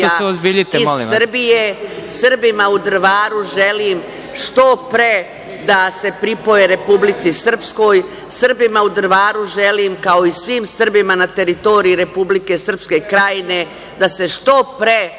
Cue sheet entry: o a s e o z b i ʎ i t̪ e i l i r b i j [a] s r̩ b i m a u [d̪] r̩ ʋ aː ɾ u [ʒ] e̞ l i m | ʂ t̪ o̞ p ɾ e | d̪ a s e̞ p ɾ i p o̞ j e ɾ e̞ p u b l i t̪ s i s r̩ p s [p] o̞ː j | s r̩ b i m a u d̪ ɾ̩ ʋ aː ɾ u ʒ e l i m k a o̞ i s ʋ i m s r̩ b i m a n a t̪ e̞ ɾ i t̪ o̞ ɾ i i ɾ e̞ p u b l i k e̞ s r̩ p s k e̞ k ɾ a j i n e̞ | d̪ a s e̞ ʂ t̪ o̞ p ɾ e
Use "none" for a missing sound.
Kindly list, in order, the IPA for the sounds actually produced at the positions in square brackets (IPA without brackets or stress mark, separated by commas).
e, d̪, ʒ, k